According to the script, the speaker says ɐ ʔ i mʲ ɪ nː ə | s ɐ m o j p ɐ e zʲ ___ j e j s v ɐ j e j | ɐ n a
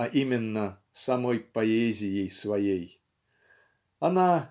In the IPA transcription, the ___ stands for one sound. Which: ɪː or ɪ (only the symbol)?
ɪ